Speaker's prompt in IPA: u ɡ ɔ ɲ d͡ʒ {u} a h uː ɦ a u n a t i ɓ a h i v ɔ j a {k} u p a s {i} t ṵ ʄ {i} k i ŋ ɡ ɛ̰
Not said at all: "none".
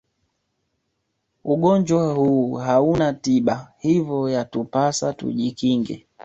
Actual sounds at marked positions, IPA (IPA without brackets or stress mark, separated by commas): w, t, a, i